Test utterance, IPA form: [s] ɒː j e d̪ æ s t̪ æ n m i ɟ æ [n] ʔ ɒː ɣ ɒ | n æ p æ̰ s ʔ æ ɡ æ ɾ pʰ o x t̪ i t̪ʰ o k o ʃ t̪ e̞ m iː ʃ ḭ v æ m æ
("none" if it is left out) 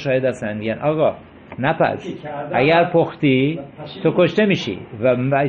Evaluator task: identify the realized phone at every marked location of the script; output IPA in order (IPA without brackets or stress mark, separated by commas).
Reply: ʃ, n